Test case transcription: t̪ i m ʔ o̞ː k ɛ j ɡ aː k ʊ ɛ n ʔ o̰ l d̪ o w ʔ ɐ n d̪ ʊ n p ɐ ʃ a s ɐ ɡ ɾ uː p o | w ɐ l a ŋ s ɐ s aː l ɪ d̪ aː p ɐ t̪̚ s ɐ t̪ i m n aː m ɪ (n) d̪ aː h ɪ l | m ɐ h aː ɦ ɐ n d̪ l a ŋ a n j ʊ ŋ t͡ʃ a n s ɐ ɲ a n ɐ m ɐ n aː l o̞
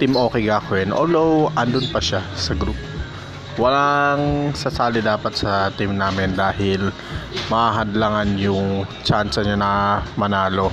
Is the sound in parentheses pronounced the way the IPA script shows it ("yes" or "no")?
yes